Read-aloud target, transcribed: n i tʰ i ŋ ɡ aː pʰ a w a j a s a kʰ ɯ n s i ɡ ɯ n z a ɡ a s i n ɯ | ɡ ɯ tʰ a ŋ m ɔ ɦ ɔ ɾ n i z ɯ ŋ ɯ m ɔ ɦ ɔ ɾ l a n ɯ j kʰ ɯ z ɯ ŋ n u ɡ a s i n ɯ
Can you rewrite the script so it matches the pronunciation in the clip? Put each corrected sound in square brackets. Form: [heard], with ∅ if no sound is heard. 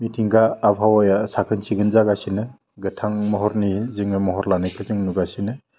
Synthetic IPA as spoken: [m] i tʰ i ŋ ɡ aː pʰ a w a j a s a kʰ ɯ n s i ɡ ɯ n z a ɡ a s i n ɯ | ɡ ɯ tʰ a ŋ m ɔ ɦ ɔ ɾ n i z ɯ ŋ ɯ m ɔ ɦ ɔ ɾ l a n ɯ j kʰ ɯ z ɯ ŋ n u ɡ a s i n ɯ